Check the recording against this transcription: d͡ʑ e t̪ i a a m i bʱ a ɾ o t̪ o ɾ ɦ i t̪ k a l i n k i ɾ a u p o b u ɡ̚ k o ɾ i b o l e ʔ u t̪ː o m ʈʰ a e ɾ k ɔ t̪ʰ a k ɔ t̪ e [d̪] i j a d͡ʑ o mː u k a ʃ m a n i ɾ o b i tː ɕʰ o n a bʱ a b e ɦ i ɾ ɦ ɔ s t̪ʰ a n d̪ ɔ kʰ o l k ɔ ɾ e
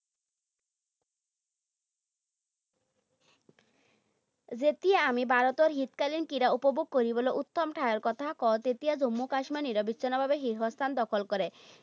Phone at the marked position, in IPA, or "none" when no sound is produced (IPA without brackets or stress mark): t̪